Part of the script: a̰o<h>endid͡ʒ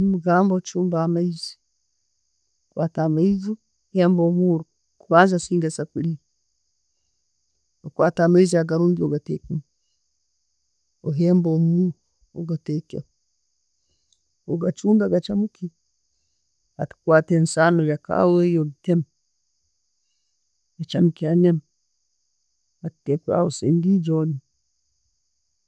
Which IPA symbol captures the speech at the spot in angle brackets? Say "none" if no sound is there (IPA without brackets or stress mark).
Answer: s